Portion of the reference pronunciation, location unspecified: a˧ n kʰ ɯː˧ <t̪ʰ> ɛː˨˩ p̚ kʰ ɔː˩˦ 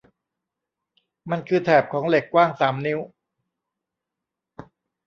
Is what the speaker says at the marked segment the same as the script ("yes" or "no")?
yes